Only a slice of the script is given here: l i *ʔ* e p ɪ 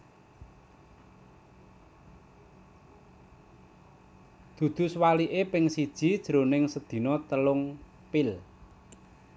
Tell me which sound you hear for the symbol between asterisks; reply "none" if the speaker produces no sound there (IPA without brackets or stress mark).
ʔ